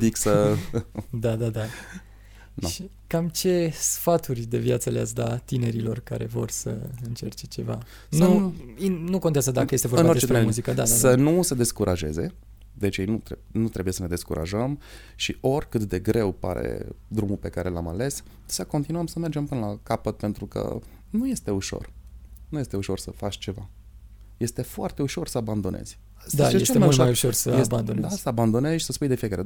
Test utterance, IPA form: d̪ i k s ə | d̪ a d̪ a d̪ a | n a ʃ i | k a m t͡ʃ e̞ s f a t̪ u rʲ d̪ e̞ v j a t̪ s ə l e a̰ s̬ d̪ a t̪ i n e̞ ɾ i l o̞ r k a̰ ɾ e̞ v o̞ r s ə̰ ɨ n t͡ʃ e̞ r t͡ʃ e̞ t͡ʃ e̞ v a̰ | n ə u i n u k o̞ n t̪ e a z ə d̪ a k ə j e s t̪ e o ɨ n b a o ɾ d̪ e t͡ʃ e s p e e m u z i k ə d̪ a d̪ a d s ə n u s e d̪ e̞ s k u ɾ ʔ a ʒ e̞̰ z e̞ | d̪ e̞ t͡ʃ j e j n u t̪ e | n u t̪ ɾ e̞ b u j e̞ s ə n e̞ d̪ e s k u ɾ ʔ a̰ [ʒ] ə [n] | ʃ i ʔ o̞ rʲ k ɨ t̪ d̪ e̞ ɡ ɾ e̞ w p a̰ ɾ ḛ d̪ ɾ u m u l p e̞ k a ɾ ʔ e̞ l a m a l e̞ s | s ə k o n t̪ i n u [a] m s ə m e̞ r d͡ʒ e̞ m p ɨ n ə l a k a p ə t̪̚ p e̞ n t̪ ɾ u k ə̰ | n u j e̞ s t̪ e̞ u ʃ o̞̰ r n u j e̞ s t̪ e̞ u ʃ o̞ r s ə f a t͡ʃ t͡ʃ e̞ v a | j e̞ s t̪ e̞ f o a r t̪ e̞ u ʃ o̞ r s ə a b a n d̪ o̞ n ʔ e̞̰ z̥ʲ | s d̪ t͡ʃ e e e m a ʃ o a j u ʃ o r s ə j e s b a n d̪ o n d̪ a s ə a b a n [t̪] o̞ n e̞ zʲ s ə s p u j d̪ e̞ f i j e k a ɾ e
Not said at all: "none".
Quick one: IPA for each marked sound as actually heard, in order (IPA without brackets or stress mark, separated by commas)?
ʒ, m, ə, d̪